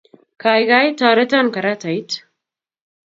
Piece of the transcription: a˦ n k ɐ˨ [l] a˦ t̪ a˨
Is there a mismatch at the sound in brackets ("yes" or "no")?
yes